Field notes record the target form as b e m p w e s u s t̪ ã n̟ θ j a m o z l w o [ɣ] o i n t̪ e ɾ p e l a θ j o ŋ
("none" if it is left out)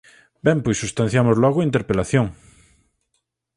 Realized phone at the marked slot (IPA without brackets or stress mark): ɣ